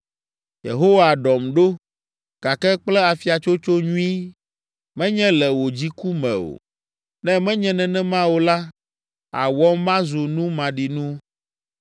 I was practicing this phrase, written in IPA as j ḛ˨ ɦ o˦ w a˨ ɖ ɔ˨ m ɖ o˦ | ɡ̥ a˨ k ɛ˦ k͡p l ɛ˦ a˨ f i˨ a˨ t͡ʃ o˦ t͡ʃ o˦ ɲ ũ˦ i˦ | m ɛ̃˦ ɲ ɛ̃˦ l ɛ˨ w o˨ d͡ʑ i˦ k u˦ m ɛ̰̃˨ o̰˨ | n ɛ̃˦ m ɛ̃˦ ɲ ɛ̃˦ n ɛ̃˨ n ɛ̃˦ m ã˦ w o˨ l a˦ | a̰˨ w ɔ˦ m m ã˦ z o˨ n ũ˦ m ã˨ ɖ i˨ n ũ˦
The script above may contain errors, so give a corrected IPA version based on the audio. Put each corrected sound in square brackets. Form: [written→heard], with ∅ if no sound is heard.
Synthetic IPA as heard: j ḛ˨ ɦ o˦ w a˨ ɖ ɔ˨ m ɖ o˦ | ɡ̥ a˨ k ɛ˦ k͡p l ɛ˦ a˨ f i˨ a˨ t͡ʃ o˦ t͡ʃ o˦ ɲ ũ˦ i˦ | m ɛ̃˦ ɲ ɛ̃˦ l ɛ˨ w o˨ d͡ʑ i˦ k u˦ m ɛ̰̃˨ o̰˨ | n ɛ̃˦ m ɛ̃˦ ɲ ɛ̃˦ n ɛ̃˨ n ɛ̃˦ m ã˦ w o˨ l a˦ | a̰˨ w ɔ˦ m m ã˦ z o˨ n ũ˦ m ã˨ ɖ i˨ n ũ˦

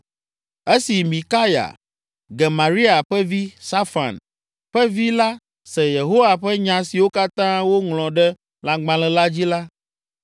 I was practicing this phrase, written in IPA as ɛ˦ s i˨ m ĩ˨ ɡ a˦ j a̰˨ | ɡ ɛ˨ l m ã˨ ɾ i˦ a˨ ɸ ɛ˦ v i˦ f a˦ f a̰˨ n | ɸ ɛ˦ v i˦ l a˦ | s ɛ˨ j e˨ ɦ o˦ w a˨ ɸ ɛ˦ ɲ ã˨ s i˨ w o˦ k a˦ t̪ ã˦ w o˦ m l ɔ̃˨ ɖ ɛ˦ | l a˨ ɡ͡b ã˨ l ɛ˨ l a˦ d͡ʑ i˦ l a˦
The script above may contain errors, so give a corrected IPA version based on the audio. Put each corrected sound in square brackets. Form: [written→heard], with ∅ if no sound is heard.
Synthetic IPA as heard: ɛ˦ s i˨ m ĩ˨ [ɡ→k] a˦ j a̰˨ | ɡ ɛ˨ [l→∅] m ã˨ ɾ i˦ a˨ ɸ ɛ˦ v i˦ [f→s] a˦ f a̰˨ n | ɸ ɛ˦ v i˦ l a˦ | s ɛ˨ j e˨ ɦ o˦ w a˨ ɸ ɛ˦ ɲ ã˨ s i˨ w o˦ k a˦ t̪ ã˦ w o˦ [m→ŋ] l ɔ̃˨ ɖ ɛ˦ | l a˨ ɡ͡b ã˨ l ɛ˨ l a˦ d͡ʑ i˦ l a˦

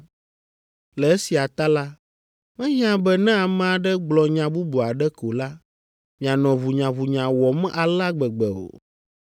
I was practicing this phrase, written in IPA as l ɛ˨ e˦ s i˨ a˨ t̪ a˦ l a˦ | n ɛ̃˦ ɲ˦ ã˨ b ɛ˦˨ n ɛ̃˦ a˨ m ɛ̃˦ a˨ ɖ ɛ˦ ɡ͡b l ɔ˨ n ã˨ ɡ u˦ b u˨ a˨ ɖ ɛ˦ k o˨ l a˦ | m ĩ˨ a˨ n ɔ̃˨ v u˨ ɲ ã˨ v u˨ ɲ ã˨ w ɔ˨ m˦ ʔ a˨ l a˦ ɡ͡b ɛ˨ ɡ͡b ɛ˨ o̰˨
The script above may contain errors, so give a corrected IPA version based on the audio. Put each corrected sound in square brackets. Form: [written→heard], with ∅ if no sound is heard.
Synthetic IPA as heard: l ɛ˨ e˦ s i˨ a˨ t̪ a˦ l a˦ | [n→m] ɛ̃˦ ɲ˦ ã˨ b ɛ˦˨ n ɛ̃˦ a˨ m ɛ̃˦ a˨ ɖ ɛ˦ ɡ͡b l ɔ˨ [n→ɲ] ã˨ [ɡ→b] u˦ b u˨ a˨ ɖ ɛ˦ k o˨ l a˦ | m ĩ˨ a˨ n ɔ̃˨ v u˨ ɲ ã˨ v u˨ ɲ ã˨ w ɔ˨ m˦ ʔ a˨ l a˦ ɡ͡b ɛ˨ ɡ͡b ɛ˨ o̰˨

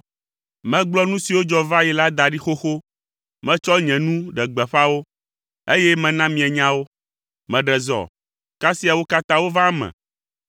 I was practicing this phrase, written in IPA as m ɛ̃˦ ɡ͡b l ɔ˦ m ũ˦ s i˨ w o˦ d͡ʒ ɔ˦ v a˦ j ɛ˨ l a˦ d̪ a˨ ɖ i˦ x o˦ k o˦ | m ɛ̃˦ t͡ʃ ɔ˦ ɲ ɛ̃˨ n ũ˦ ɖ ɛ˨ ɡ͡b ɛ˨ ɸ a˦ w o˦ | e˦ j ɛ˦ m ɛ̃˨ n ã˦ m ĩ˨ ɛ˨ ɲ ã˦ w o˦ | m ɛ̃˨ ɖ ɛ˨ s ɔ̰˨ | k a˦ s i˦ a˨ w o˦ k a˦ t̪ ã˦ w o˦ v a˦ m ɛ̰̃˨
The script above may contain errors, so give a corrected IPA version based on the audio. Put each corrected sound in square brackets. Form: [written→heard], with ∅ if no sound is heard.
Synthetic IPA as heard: m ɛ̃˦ ɡ͡b l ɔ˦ [m→n] ũ˦ s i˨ w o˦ d͡ʒ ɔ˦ v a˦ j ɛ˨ l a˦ d̪ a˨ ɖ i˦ x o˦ [k→x] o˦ | m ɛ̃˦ t͡ʃ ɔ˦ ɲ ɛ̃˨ n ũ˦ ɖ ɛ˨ ɡ͡b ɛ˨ ɸ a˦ w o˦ | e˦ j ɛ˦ m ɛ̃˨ n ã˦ m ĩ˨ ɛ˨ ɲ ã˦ w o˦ | m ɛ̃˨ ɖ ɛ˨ [s→z] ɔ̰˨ | k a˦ s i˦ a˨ w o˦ k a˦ t̪ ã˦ w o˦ v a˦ m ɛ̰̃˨

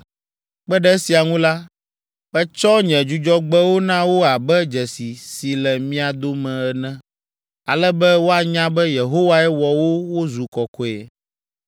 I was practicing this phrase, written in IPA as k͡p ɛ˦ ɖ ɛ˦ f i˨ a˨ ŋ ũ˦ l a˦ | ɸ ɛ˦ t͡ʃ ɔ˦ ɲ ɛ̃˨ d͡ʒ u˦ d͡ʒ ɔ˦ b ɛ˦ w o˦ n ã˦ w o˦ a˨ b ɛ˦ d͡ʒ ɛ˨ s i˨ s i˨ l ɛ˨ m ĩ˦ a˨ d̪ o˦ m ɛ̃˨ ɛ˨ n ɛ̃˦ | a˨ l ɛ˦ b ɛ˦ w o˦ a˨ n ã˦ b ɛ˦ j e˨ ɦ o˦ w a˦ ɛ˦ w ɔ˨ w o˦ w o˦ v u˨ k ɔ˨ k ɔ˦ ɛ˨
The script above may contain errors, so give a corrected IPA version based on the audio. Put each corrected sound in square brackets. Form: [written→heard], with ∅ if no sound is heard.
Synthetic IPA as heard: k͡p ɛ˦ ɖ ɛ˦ [f→s] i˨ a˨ ŋ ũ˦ l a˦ | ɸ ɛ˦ t͡ʃ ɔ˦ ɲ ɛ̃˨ d͡ʒ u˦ d͡ʒ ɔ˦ [b→ɡ͡b] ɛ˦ w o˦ n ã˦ w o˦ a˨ b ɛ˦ d͡ʒ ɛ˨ s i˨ s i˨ l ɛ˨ m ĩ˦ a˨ d̪ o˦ m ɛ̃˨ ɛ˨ n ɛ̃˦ | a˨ l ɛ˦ b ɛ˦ w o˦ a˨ [n→ɲ] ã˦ b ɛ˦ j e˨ ɦ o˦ w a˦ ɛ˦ w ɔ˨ w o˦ w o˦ [v→z] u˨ k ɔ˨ k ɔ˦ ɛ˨

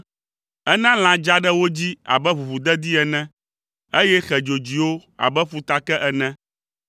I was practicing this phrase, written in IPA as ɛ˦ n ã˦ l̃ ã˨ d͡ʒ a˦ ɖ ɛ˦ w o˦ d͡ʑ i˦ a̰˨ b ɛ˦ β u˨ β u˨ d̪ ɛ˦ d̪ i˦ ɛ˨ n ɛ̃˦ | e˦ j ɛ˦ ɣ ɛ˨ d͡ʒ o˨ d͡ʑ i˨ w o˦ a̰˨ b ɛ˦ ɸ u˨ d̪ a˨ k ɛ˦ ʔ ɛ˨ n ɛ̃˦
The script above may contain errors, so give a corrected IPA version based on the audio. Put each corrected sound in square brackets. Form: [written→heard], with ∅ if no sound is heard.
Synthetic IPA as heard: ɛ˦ n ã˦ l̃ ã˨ d͡ʒ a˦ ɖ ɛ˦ w o˦ d͡ʑ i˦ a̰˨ b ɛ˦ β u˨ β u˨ d̪ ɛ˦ d̪ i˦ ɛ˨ n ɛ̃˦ | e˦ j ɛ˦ [ɣ→x] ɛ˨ d͡ʒ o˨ d͡ʑ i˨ w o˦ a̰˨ b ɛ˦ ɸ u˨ [d̪→t̪] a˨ k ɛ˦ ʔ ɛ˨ n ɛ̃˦

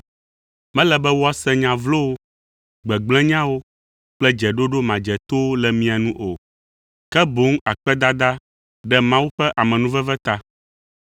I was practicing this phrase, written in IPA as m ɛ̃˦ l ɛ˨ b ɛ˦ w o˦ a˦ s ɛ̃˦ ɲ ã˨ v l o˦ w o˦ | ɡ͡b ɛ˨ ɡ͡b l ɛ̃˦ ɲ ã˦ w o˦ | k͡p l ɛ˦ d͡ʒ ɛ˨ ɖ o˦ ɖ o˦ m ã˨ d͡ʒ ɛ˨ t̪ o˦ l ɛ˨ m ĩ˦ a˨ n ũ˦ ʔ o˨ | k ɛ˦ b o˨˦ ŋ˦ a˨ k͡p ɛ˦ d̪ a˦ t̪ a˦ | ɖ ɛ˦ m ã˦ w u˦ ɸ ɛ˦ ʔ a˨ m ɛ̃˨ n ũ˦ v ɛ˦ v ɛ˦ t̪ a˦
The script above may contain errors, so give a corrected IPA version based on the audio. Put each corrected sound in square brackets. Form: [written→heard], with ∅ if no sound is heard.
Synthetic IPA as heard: m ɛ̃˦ l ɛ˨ b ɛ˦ w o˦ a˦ s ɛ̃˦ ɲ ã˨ v l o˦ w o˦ | ɡ͡b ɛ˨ ɡ͡b l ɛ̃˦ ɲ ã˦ w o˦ | k͡p l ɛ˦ d͡ʒ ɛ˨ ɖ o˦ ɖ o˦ m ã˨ d͡ʒ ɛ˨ t̪ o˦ l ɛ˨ m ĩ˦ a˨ n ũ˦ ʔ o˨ | k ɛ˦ b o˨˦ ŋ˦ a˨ k͡p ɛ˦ d̪ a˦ [t̪→d̪] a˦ | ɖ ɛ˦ m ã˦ w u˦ ɸ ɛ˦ ʔ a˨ m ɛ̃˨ n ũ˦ v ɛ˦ v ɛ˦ t̪ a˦

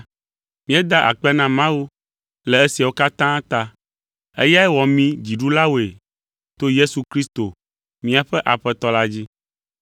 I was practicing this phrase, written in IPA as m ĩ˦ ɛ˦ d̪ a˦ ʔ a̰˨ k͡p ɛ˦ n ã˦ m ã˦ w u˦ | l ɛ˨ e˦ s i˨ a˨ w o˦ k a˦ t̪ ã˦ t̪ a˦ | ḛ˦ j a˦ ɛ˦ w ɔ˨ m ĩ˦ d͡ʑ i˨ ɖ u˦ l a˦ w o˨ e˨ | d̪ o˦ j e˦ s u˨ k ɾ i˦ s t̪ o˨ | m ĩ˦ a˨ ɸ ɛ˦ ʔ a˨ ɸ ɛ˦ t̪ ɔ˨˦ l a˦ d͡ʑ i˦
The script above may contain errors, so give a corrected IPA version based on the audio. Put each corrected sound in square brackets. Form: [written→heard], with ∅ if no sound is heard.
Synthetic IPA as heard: m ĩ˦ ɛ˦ d̪ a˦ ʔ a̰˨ k͡p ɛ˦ n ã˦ m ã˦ w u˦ | l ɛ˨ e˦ s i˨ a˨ w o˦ k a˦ t̪ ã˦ t̪ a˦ | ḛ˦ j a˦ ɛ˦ w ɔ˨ m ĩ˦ d͡ʑ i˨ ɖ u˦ l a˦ w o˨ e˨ | [d̪→t̪] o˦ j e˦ s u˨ k ɾ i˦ s t̪ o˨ | m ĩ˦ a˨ ɸ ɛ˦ ʔ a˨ ɸ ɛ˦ t̪ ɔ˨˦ l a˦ d͡ʑ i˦

